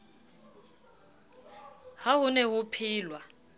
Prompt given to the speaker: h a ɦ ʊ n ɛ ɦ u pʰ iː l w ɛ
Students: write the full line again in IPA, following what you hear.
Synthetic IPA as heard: h a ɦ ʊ n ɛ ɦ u pʰ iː l w a

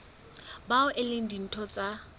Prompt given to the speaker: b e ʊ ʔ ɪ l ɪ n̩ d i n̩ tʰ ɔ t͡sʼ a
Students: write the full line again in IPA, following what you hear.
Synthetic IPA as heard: b a ʊ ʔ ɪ l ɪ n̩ d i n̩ tʰ ɔ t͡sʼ a

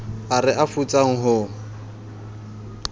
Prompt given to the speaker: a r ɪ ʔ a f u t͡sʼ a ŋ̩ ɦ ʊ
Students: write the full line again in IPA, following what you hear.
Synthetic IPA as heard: a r ɪ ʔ a f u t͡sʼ a ŋ̩ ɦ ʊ

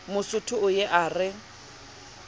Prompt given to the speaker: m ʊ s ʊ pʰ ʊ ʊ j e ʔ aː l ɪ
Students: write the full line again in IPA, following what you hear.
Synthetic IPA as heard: m ʊ s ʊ tʰ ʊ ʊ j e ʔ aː r ɪ

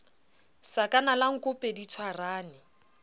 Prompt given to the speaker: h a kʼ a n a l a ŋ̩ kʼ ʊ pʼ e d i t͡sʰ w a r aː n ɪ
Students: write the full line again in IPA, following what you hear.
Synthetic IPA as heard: s a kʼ a n a l a ŋ̩ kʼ ʊ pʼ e d i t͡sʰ w a r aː n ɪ

